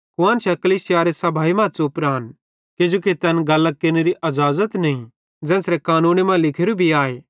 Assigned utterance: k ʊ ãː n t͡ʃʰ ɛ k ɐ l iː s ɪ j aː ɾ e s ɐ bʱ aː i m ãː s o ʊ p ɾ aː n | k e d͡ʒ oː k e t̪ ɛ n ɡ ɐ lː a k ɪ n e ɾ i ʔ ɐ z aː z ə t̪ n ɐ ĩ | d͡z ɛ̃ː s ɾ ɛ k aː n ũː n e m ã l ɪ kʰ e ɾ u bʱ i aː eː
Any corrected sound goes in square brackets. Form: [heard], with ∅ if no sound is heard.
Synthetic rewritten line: k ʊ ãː n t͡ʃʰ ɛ k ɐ l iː s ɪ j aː ɾ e s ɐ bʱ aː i m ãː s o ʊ p ɾ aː n | k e d͡ʒ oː k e t̪ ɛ n ɡ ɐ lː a k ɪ n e ɾ i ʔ ɐ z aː z ə t̪ n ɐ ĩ | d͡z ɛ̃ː s ɾ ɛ k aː n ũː n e m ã l ɪ kʰ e ɾ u bʱ i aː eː